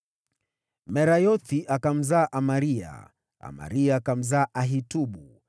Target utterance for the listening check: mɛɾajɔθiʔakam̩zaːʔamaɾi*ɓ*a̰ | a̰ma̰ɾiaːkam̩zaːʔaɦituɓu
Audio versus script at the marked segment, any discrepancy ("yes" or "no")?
yes